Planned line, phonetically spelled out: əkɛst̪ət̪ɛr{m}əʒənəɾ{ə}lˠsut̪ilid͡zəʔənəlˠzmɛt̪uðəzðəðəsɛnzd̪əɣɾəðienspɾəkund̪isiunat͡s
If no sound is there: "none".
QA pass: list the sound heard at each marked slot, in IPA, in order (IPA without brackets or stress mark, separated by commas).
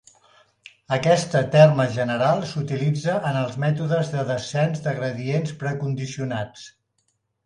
m, a